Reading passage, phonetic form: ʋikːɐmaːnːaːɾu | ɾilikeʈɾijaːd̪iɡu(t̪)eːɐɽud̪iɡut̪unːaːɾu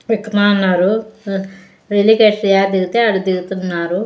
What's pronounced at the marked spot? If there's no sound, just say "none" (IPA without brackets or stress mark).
t̪